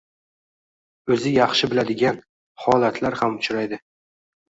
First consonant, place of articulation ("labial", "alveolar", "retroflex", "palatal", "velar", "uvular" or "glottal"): alveolar